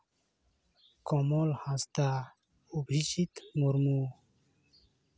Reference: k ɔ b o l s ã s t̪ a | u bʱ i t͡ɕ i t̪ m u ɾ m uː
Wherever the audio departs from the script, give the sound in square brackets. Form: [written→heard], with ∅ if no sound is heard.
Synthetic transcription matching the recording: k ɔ [b→m] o l [s→h] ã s t̪ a | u bʱ i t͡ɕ i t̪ m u ɾ m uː